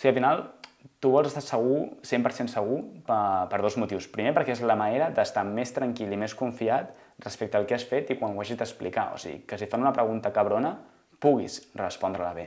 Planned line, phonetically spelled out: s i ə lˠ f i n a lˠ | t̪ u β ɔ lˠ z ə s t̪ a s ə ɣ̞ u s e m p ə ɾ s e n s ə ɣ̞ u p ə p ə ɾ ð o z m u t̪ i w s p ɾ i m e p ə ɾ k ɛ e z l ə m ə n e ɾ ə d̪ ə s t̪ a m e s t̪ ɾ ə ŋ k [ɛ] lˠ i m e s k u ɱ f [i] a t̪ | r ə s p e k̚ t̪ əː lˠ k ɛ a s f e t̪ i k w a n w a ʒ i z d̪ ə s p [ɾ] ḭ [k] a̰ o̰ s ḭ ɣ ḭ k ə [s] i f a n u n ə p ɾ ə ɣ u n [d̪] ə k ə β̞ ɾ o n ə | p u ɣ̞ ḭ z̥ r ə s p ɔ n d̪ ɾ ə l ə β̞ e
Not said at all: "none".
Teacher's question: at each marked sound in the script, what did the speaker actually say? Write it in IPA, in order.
i, i, l, k, s, t̪

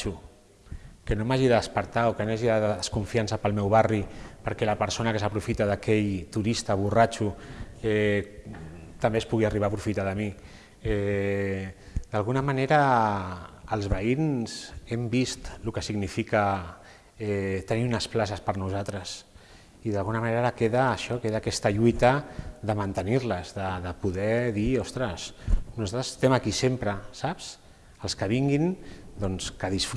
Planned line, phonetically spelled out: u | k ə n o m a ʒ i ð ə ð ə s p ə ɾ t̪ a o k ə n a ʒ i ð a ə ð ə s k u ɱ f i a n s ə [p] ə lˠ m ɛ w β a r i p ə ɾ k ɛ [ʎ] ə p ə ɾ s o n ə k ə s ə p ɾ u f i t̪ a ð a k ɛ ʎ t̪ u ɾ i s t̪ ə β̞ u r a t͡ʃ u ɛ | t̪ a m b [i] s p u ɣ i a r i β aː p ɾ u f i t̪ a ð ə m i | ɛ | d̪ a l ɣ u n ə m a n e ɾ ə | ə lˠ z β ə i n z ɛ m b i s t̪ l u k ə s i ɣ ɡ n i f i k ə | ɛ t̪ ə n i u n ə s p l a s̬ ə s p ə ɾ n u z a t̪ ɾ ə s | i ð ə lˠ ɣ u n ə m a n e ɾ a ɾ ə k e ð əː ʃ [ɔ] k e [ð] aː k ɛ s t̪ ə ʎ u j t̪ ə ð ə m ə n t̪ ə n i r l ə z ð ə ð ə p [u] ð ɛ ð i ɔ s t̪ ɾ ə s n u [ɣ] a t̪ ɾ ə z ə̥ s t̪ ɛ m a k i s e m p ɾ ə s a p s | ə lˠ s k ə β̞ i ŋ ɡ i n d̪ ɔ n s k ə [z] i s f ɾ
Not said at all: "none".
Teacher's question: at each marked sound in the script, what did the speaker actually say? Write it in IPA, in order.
p, l, e, ɔ, ð, u, z, ð

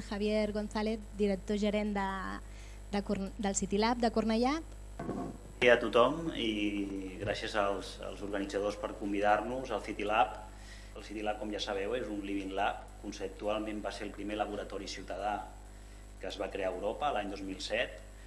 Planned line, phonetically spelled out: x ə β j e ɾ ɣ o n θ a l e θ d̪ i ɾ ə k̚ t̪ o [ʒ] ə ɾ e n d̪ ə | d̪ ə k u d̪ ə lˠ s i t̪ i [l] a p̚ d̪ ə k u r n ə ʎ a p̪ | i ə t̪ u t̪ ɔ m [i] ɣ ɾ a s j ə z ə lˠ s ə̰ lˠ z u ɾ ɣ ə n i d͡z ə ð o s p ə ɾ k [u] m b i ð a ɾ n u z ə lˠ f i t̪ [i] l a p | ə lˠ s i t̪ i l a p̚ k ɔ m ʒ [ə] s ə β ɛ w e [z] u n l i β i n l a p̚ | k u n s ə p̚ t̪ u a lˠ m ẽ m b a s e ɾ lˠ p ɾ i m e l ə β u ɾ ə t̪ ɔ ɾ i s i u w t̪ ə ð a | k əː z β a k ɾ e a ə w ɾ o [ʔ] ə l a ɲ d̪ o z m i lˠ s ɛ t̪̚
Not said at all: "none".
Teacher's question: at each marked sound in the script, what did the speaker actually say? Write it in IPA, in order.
ʒ, l, i, u, i, a, z, p

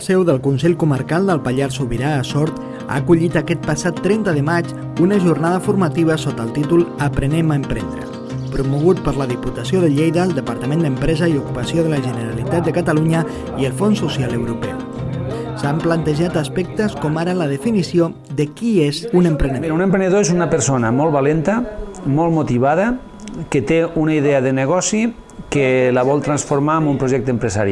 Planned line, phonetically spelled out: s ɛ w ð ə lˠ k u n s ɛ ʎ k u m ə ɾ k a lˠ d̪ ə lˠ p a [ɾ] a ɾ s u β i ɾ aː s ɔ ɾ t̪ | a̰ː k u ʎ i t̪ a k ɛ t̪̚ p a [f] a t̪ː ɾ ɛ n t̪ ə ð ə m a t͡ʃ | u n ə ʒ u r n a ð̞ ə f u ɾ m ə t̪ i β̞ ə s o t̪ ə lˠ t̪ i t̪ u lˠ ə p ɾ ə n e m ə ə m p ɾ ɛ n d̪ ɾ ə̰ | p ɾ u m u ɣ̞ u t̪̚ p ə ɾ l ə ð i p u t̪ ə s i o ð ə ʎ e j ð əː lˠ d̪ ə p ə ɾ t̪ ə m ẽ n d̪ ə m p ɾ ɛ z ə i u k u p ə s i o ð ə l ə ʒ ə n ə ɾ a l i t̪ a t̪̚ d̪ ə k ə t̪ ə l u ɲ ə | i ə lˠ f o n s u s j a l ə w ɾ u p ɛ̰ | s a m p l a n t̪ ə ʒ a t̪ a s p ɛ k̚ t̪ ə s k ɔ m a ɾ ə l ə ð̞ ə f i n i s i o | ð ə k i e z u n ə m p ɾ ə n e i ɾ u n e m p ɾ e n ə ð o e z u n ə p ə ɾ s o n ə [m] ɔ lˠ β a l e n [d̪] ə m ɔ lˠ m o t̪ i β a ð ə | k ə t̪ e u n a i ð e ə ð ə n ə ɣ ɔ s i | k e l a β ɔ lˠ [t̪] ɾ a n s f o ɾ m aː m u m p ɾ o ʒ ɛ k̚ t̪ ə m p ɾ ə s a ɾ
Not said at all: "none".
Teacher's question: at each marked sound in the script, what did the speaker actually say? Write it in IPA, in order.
ʎ, s, m, t̪, t̪

